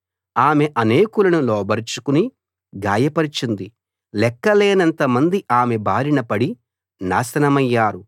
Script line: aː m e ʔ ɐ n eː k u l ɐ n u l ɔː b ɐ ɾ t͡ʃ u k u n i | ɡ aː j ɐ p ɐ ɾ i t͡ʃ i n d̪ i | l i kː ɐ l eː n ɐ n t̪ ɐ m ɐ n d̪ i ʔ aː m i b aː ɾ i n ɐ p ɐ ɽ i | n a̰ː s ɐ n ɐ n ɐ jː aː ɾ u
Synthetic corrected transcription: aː m e ʔ ɐ n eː k u l ɐ n u l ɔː b ɐ ɾ t͡ʃ u k u n i | ɡ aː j ɐ p ɐ ɾ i t͡ʃ i n d̪ i | l ɛ kː ɐ l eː n ɐ n t̪ ɐ m ɐ n d̪ i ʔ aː m e b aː ɾ i n ɐ p ɐ ɽ i | n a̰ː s ɐ n ɐ m ɐ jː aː ɾ u